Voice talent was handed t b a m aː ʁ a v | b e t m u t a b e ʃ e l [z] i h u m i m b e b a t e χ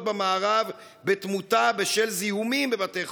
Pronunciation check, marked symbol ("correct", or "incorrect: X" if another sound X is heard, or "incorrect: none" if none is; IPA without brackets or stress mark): correct